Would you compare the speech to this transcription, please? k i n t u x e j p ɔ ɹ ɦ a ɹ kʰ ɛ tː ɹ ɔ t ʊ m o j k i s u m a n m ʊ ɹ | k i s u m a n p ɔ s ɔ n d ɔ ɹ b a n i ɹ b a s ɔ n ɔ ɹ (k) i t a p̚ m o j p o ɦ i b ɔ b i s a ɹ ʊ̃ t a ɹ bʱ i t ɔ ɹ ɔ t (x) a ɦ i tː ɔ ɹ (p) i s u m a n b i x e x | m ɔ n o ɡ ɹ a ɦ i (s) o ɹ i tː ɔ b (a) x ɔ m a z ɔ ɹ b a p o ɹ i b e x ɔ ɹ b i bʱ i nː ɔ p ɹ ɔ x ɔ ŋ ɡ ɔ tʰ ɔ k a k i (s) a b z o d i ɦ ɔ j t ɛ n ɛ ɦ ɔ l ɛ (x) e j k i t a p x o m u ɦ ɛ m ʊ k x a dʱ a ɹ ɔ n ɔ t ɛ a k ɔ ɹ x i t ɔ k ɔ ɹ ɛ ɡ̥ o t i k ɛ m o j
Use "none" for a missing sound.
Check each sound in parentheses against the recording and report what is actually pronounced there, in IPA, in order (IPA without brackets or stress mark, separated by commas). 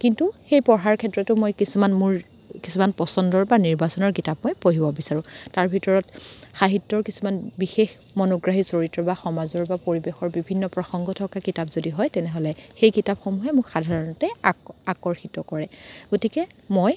k, x, k, s, a, t, x